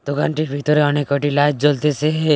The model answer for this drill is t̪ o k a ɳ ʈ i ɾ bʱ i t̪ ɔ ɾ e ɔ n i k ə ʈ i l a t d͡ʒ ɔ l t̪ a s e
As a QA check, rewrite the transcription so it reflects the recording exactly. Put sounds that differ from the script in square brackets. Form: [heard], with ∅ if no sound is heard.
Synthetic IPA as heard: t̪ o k a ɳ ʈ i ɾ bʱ i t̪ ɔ ɾ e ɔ n [e] k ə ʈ i l a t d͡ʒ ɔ l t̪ [e] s e